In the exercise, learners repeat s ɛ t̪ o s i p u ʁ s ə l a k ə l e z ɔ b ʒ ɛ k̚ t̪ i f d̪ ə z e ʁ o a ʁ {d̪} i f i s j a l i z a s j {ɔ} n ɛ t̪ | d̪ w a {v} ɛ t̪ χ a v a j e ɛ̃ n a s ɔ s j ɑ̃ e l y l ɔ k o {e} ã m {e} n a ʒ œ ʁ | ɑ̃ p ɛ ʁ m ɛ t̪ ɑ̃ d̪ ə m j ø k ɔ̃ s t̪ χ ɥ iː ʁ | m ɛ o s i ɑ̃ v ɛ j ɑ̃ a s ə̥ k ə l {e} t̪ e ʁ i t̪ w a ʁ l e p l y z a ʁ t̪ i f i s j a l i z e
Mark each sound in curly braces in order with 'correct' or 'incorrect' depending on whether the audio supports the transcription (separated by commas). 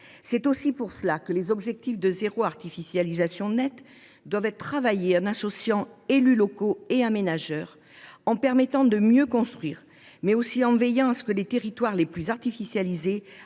incorrect, incorrect, correct, correct, correct, correct